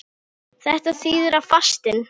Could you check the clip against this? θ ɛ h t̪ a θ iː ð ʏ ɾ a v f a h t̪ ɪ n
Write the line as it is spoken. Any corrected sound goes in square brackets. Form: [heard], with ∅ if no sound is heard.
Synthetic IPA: θ ɛ h t̪ a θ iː ð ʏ ɾ a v f a [s] t̪ ɪ n